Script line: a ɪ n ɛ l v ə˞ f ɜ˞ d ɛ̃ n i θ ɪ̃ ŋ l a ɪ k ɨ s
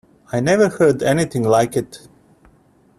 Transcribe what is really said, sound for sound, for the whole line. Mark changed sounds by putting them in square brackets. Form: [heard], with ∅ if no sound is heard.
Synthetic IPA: a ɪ n ɛ [∅] v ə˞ [h] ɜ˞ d [ɛ] n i θ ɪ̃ ŋ l a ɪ k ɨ [t]